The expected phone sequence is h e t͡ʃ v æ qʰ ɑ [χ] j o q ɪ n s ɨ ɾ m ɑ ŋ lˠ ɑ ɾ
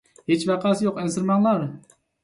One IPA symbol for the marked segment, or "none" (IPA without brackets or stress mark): s